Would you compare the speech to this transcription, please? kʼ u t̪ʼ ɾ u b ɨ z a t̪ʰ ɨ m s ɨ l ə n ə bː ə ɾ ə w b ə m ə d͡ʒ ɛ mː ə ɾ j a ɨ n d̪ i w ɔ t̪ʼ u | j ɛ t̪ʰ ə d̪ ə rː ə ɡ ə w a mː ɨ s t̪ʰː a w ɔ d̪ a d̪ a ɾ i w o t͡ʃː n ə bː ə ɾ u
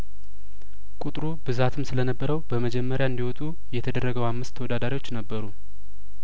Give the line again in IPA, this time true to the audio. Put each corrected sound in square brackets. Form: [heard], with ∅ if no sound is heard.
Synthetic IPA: kʼ u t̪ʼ ɾ u b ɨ z a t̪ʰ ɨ m s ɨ l ə n ə bː ə ɾ ə w b ə m ə d͡ʒ ɛ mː ə ɾ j a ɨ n d̪ i w ɔ t̪ʼ u | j ɛ t̪ʰ ə d̪ ə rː ə ɡ ə w a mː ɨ s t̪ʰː [ə] w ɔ d̪ a d̪ a ɾ i w o t͡ʃː n ə bː ə ɾ u